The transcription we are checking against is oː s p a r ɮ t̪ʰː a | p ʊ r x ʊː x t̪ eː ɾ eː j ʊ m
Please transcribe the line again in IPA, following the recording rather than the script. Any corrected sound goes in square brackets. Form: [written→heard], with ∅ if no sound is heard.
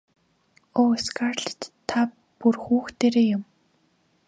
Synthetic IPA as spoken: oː s [p→k] a r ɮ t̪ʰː a | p [ʊ→u] r x [ʊː→uː] x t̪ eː ɾ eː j ʊ m